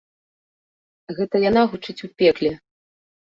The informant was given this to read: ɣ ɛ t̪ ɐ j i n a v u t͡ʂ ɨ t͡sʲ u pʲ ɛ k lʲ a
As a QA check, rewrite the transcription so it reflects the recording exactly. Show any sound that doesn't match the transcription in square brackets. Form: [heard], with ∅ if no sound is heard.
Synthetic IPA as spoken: ɣ ɛ t̪ ɐ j [a] n a [ɣ] u t͡ʂ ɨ t͡sʲ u pʲ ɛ k lʲ [ɛ]

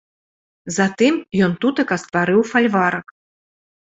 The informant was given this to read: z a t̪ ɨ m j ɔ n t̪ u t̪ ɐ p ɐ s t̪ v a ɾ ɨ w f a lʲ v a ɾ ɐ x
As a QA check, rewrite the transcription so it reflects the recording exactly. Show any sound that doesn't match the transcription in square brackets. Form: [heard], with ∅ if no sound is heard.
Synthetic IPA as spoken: z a t̪ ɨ m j ɔ n t̪ u t̪ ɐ [k] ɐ s t̪ v a ɾ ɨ w f a lʲ v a ɾ ɐ [k]

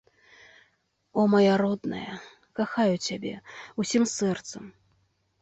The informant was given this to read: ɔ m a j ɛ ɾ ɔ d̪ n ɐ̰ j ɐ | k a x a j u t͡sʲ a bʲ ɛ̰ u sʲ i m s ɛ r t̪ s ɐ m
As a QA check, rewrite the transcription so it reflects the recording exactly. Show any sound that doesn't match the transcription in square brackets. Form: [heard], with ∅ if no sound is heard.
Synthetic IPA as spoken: ɔ m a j [a] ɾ ɔ d̪ n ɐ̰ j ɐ | k a x a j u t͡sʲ a bʲ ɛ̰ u sʲ i m s ɛ r t̪ s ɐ m

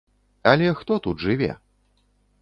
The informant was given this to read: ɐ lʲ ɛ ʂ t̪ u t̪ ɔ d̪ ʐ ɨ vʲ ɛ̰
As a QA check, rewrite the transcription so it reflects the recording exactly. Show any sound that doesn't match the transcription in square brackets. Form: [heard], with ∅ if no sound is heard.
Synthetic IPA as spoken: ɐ lʲ ɛ [x] t̪ [ɔ] t̪ [u] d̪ ʐ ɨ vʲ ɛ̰

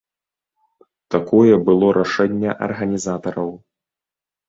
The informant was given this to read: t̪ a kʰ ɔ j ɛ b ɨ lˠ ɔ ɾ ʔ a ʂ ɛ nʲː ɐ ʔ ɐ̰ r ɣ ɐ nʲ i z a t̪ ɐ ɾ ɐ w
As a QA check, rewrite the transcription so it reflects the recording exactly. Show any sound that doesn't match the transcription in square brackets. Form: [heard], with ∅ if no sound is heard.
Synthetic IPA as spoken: t̪ a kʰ ɔ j ɛ b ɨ lˠ ɔ ɾ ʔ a ʂ ɛ nʲː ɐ ʔ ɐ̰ r ɣ ɐ nʲ i z a t̪ ɐ ɾ ɐ w

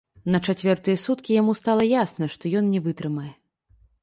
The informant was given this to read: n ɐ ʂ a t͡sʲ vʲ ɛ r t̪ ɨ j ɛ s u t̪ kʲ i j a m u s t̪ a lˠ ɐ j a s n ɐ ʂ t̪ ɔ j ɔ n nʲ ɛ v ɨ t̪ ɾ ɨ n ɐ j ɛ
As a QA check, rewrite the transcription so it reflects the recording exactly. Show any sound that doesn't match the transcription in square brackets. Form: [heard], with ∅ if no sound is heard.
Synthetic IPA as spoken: n ɐ [t͡ʂ] a t͡sʲ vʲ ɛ r t̪ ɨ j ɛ s u t̪ kʲ i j a m u s t̪ a lˠ ɐ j a s n ɐ ʂ t̪ ɔ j ɔ n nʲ ɛ v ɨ t̪ ɾ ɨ [m] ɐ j ɛ

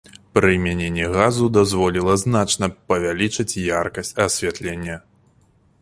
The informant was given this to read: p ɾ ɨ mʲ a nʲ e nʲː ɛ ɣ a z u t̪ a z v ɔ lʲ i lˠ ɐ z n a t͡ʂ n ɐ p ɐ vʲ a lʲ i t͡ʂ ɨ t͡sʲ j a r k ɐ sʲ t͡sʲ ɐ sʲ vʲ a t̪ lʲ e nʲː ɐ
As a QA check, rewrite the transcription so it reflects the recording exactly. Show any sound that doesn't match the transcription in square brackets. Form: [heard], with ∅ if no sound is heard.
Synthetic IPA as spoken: p ɾ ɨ mʲ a nʲ e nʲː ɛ ɣ a z u [d̪] a z v ɔ lʲ i lˠ ɐ z n a t͡ʂ n ɐ p ɐ vʲ a lʲ i t͡ʂ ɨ t͡sʲ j a r k ɐ sʲ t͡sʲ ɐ sʲ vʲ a t̪ lʲ e nʲː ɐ

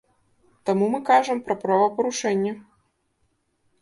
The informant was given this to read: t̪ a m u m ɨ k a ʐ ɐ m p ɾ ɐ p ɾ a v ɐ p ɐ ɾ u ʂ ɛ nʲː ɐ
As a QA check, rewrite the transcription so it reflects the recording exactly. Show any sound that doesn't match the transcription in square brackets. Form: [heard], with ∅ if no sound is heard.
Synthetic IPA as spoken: t̪ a m u m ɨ k a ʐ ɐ m p ɾ ɐ p ɾ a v ɐ p ɐ ɾ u ʂ ɛ nʲː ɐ

